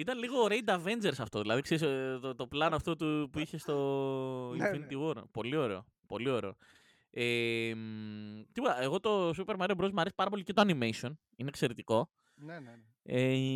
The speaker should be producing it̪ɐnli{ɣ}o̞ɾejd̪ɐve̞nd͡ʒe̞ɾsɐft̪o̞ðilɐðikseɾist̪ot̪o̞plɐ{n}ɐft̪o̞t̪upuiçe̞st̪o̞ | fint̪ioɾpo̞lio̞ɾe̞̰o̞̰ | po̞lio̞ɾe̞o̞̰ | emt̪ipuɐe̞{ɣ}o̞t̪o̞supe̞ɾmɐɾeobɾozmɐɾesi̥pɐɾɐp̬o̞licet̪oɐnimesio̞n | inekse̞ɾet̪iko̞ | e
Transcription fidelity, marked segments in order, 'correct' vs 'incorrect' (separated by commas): correct, correct, correct